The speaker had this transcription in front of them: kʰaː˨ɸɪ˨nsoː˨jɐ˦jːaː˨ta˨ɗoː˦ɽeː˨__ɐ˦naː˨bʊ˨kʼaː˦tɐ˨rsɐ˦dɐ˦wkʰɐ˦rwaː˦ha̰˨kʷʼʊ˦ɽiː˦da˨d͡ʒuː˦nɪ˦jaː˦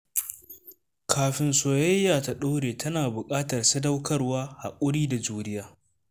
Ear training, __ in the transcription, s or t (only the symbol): t